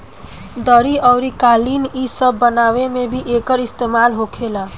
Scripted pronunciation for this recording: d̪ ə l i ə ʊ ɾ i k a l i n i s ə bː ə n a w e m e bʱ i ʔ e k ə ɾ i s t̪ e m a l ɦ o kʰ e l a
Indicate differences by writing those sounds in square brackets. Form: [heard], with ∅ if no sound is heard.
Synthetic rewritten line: d̪ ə [ɾ] i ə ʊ ɾ i k a l i n i s ə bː ə n a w e m e bʱ i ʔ e k ə ɾ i s t̪ e m a l ɦ o kʰ e l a